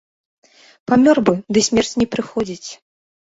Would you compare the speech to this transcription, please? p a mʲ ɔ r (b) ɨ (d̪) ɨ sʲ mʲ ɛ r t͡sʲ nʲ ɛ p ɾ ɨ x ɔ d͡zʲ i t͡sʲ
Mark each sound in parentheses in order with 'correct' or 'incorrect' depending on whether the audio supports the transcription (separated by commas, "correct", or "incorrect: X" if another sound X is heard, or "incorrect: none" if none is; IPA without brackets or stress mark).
correct, correct